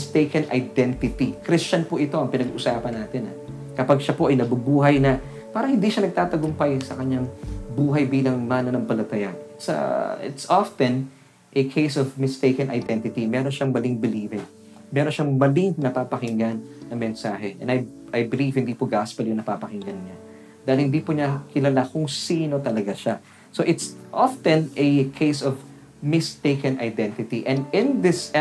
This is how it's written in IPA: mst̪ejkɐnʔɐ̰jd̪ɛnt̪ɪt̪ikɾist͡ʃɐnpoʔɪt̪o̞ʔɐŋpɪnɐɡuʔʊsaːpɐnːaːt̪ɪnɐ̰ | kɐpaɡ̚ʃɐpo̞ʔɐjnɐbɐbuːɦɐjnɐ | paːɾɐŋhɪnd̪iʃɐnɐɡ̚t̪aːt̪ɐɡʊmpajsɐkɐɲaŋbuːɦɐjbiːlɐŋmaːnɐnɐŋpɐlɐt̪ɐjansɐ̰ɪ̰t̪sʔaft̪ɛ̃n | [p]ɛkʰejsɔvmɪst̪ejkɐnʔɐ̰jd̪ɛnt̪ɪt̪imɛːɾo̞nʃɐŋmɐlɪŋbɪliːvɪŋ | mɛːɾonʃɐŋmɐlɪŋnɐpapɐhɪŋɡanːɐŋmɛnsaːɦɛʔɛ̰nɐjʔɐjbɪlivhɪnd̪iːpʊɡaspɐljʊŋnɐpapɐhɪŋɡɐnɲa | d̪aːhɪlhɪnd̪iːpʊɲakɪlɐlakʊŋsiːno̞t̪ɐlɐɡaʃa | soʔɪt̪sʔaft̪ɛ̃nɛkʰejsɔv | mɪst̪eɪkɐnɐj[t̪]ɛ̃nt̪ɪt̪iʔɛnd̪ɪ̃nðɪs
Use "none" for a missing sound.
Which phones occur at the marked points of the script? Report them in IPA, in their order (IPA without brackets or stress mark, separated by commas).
ʔ, d̪